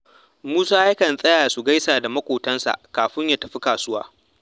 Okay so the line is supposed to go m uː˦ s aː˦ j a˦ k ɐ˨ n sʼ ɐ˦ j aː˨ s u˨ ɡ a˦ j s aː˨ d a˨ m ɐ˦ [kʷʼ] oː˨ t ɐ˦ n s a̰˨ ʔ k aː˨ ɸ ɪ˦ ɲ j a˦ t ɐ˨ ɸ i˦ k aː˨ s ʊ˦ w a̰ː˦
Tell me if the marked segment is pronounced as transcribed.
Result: no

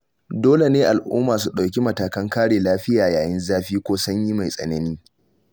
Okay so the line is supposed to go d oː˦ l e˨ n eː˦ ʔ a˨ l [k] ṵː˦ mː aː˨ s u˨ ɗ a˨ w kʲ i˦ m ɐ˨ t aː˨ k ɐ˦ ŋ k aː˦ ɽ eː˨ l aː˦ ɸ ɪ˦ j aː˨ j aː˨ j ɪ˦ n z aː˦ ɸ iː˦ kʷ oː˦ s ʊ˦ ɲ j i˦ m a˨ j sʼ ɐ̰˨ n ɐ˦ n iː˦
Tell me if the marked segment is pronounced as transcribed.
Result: no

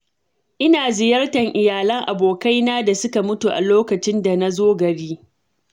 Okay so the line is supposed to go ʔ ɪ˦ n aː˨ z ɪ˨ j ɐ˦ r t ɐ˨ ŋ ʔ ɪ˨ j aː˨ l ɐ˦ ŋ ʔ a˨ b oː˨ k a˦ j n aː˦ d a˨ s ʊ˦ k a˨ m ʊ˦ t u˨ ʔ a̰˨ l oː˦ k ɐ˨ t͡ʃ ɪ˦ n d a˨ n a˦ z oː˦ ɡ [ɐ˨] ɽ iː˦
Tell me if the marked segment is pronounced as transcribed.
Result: yes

